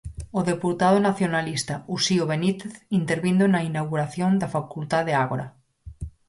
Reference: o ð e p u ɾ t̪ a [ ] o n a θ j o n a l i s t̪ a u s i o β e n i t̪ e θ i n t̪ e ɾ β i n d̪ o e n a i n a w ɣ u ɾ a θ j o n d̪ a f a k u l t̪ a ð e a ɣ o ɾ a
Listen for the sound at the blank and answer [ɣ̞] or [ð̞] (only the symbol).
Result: ð̞